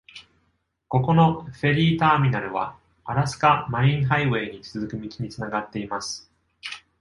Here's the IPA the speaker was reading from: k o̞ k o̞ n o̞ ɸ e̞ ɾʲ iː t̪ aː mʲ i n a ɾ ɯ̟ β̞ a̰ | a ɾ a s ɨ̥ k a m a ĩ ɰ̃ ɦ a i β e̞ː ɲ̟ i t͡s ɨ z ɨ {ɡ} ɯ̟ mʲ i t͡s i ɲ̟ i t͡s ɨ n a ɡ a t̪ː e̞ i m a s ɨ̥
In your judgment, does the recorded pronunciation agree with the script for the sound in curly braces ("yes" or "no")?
no